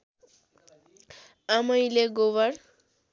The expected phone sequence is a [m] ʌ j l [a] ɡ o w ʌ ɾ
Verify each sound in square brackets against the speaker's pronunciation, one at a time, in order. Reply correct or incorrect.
correct, incorrect

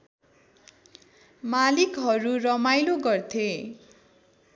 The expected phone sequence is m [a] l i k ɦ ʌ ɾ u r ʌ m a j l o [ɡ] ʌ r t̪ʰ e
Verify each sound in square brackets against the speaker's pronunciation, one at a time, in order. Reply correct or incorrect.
correct, correct

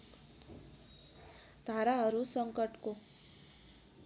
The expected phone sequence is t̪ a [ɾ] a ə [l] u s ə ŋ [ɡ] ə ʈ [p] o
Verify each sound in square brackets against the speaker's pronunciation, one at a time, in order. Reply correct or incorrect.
correct, incorrect, incorrect, incorrect

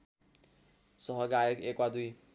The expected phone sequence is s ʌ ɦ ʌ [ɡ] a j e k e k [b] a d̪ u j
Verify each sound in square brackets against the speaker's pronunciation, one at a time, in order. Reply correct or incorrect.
correct, incorrect

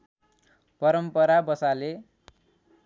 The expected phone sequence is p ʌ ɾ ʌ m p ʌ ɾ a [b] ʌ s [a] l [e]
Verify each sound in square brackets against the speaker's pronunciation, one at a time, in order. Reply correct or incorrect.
correct, correct, correct

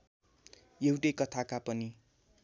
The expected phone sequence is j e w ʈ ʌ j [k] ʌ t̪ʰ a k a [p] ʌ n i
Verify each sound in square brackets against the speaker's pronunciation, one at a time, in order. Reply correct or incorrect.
correct, correct

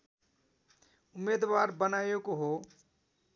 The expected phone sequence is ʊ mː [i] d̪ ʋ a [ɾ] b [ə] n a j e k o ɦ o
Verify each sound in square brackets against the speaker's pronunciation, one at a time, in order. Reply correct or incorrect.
incorrect, correct, correct

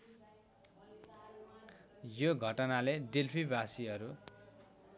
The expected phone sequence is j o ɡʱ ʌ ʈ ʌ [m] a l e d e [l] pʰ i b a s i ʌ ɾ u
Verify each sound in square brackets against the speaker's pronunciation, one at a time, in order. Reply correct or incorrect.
incorrect, correct

